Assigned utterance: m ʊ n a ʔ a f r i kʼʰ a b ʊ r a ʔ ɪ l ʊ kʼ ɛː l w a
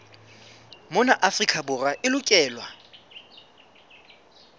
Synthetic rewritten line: m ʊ n a ʔ a f r i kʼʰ a b ʊ r a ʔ ɪ l ʊ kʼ ɛː l w a